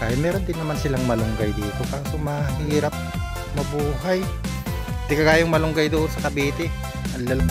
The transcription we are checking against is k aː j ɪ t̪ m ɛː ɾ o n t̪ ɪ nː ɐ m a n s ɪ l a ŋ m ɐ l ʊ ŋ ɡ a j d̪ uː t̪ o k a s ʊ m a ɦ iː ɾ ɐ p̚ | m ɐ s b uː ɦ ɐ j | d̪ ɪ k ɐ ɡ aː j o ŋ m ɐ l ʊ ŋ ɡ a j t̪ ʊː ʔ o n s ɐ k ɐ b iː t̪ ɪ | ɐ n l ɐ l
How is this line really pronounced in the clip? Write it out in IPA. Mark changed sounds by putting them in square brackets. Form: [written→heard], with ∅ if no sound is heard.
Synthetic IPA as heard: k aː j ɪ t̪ m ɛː ɾ o n [t̪→d̪] ɪ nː ɐ m a n s ɪ l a ŋ m ɐ l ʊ ŋ ɡ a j d̪ uː t̪ o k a s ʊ m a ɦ iː ɾ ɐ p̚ | m ɐ [s→∅] b uː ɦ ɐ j | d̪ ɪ k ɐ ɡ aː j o ŋ m ɐ l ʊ ŋ ɡ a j [t̪→d̪] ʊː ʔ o n s ɐ k ɐ b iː t̪ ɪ | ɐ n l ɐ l